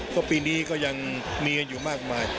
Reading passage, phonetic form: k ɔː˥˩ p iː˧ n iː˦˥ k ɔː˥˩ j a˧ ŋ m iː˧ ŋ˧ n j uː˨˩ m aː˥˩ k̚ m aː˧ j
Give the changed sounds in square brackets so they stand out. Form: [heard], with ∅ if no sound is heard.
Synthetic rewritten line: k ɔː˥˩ p iː˧ n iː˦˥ k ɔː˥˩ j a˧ ŋ m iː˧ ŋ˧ n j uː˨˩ m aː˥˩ k̚ m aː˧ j